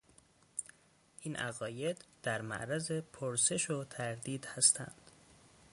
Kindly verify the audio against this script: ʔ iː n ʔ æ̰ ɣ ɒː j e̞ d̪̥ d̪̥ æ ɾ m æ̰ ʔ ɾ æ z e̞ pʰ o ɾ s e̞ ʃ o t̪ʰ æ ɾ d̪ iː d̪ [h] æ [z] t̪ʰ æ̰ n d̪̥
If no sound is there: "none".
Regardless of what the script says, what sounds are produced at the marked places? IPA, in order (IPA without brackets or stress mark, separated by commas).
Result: h, s